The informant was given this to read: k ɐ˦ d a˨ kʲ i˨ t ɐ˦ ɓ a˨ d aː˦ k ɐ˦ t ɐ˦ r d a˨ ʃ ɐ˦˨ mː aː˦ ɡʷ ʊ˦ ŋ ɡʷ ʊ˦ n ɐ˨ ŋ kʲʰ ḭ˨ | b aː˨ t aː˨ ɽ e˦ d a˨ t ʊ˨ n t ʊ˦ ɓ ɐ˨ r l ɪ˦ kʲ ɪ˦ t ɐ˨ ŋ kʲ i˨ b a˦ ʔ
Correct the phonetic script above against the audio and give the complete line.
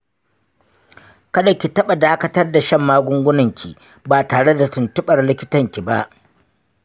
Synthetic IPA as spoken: k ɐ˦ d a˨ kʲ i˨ t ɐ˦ ɓ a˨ d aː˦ k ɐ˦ t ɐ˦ r d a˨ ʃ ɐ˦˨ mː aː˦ ɡʷ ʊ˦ ŋ ɡʷ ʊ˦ n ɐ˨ ŋ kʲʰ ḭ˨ | b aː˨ t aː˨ ɽ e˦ d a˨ t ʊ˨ n t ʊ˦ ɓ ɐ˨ r l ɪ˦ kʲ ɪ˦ t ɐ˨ ŋ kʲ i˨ b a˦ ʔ